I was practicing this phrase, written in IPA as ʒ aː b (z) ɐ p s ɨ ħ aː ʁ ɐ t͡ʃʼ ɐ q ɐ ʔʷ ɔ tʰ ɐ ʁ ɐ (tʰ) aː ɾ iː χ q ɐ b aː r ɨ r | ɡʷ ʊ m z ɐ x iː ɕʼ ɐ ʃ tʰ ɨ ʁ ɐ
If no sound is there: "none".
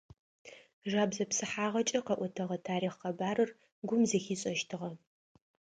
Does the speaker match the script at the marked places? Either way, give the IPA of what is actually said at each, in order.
z, tʰ

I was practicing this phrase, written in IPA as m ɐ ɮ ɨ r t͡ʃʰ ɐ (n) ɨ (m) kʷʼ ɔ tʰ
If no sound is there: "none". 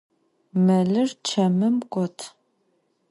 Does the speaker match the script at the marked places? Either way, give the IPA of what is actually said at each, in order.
m, m

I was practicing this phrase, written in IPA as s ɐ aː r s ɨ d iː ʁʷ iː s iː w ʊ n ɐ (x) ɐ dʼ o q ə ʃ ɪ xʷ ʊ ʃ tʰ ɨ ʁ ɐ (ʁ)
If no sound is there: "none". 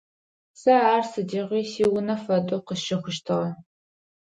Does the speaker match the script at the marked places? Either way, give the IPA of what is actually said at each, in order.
f, none

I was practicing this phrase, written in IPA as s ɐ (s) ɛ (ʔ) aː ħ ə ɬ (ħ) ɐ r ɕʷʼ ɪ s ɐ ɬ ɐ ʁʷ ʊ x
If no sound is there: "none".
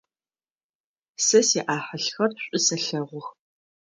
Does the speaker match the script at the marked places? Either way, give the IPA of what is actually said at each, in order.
s, ʔ, x

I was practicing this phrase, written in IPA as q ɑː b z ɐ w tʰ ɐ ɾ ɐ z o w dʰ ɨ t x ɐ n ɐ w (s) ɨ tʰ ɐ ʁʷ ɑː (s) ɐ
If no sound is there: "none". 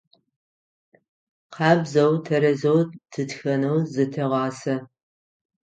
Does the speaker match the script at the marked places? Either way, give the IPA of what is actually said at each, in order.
z, s

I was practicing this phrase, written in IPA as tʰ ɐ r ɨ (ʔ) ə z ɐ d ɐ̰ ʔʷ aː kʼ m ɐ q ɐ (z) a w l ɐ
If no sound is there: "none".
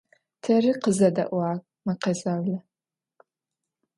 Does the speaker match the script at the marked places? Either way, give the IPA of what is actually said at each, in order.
q, z

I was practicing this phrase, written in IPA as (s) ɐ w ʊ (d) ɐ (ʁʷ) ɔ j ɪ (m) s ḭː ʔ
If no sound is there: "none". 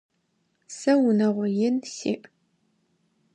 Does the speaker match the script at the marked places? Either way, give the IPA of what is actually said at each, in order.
s, n, ʁʷ, n

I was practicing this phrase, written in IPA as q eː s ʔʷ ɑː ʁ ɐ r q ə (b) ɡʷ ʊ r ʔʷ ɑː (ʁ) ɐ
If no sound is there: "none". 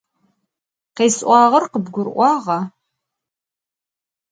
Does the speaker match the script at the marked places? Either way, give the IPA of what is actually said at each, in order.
b, ʁ

